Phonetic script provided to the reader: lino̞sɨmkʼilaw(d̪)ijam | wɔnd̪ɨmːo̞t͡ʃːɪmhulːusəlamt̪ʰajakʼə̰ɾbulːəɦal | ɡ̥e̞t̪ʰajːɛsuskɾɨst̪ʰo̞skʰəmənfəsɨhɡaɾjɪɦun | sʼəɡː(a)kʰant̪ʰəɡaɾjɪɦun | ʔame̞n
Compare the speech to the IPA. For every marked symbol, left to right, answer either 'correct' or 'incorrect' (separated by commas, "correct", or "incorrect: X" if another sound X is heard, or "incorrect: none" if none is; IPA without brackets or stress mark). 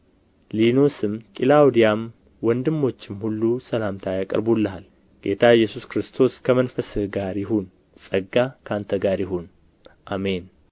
correct, correct